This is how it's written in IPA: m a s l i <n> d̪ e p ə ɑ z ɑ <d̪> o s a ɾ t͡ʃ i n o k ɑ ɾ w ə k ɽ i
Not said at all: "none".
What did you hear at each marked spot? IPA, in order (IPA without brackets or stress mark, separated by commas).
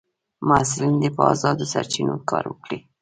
n, d̪